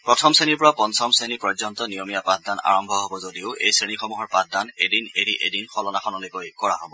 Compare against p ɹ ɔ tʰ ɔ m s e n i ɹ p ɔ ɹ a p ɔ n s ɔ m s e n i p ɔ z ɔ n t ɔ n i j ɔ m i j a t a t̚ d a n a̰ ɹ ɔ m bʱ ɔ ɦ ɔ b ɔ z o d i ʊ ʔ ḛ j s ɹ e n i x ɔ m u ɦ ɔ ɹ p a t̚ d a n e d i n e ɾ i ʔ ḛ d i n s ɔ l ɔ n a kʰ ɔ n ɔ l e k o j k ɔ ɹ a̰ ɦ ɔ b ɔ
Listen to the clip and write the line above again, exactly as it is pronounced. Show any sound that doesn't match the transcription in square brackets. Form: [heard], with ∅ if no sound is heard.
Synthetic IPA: p ɹ ɔ tʰ ɔ m s e n i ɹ p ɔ ɹ a p ɔ n s ɔ m s e n i p ɔ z ɔ n t ɔ n i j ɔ m i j a [p] a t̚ d a n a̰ ɹ ɔ m bʱ ɔ ɦ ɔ b ɔ z o d i ʊ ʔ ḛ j s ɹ e n i x ɔ m u ɦ ɔ ɹ p a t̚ d a n e d i n e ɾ i ʔ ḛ d i n [x] ɔ l ɔ n a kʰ ɔ n ɔ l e k o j k ɔ ɹ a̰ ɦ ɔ b ɔ